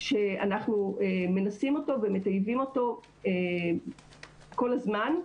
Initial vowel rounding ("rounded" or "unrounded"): unrounded